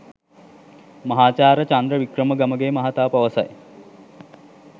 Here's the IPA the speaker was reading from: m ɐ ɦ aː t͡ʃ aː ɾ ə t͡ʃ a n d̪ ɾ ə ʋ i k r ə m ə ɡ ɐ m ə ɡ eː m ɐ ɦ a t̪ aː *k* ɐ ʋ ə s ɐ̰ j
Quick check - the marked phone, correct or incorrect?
incorrect